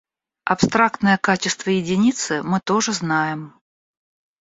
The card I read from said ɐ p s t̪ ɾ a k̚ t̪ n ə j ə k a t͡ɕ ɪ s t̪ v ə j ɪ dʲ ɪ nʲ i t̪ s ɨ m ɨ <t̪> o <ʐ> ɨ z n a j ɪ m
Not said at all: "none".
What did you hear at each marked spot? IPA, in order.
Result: t̪, ʐ

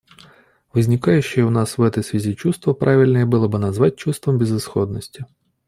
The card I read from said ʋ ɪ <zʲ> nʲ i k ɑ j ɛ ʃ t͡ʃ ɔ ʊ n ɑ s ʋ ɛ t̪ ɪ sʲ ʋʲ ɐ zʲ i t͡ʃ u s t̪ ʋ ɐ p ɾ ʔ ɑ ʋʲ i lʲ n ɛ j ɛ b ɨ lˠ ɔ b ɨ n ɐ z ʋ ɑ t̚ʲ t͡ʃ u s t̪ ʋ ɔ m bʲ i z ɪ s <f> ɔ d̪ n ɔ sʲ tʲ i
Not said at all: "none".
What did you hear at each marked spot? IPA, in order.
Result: zʲ, x

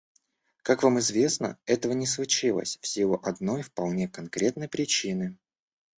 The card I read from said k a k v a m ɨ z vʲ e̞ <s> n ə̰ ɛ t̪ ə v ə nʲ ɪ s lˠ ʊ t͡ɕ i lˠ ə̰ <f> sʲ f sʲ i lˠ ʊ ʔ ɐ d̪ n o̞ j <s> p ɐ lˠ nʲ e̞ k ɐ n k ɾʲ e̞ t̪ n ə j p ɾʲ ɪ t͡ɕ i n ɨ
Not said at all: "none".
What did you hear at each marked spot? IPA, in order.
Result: s, none, f

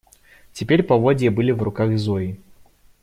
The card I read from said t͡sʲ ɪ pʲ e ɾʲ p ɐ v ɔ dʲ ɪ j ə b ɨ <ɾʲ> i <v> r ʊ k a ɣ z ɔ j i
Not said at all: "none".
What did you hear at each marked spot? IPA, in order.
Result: lʲ, v

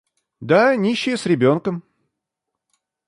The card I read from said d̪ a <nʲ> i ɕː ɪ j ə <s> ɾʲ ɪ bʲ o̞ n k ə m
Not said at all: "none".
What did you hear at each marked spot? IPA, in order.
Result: nʲ, s

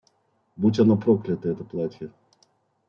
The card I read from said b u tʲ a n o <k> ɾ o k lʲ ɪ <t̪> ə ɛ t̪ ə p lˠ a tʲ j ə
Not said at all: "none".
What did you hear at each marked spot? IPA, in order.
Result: p, t̪

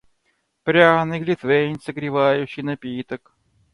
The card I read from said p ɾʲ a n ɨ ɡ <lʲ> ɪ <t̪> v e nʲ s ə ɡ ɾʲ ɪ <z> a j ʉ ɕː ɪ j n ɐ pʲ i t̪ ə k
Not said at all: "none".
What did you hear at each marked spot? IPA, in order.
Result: lʲ, t̪, v

